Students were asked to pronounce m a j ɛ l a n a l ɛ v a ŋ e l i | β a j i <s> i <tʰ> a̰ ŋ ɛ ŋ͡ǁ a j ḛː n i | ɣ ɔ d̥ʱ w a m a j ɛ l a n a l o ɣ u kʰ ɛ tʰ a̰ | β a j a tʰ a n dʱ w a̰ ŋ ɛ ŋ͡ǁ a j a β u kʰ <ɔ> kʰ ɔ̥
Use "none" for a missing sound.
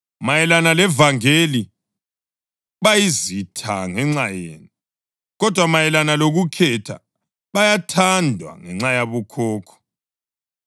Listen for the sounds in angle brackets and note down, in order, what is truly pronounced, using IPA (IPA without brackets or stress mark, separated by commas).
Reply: z, tʰ, ɔː